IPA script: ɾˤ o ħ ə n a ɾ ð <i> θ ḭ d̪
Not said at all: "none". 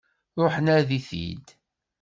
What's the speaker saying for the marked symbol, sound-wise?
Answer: i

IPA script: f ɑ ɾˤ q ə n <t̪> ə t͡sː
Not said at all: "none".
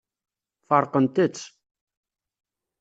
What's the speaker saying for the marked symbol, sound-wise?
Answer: t̪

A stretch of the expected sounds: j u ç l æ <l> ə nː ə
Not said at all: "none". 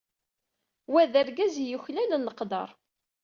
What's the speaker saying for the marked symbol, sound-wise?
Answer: l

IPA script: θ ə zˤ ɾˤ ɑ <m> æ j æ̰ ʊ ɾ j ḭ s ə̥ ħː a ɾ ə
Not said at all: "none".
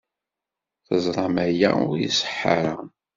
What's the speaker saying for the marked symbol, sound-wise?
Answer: m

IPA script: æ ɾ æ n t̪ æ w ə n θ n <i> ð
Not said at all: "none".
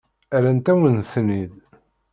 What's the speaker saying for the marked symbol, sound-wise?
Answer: i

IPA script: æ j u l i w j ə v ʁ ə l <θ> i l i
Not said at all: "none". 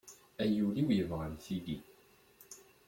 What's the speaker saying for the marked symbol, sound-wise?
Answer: θ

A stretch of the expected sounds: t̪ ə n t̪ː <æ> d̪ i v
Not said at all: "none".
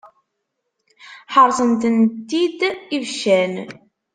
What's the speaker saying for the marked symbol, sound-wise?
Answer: i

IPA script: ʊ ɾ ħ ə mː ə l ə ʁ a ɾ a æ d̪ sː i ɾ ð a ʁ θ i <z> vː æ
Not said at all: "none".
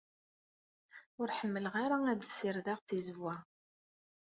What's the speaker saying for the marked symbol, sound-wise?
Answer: z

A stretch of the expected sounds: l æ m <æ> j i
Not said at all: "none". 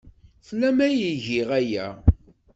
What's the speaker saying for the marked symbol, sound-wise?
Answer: æ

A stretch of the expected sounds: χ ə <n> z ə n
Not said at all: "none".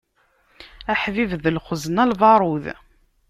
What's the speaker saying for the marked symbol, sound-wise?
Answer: none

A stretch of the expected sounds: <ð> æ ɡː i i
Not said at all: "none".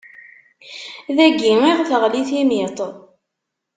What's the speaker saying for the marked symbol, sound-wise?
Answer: ð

